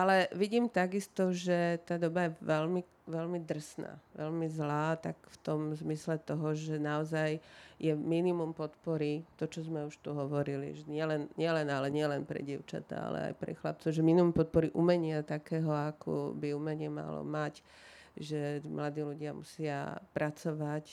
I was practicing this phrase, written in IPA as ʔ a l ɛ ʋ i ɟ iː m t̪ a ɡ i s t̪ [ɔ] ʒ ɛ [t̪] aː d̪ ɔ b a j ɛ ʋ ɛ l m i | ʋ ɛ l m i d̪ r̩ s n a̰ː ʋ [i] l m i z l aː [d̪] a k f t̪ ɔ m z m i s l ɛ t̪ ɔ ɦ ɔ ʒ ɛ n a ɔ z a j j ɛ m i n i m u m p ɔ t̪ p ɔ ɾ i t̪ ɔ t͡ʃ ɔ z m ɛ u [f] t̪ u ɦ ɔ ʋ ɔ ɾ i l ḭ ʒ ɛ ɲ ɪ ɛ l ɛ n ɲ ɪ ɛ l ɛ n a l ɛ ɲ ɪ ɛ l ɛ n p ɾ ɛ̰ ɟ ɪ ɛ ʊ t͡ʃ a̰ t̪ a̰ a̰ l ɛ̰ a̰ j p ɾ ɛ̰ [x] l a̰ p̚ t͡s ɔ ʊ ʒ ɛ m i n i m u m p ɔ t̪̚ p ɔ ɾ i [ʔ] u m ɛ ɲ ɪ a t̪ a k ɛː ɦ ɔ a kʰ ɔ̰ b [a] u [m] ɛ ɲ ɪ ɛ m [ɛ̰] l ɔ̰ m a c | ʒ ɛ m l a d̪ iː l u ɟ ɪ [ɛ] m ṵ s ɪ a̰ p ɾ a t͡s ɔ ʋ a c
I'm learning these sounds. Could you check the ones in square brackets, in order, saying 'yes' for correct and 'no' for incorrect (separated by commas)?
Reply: yes, yes, no, no, no, yes, yes, no, yes, no, no